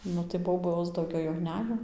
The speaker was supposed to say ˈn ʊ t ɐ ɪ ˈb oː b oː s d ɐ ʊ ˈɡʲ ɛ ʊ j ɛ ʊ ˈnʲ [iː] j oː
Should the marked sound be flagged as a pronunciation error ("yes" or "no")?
yes